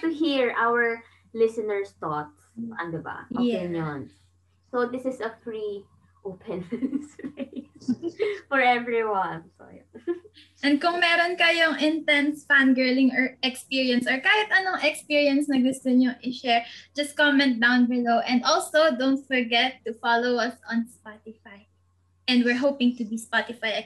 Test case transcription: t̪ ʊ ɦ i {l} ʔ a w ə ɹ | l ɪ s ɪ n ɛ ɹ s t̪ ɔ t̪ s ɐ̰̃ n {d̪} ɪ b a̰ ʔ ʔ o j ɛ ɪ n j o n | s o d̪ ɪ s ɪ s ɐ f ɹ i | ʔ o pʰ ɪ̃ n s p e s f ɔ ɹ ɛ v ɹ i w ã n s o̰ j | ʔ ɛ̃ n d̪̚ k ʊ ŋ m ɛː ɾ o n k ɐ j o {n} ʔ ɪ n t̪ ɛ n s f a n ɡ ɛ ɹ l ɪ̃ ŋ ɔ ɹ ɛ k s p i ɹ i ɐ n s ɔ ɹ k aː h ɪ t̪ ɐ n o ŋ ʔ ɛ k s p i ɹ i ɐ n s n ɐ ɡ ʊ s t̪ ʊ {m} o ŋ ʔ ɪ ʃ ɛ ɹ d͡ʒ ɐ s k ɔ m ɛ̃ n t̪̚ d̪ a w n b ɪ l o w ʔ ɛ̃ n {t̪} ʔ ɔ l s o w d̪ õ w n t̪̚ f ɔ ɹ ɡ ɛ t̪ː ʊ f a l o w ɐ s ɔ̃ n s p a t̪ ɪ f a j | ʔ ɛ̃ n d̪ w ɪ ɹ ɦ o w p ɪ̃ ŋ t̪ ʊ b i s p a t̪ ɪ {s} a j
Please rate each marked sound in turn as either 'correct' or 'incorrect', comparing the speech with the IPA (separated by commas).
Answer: incorrect, correct, incorrect, incorrect, incorrect, incorrect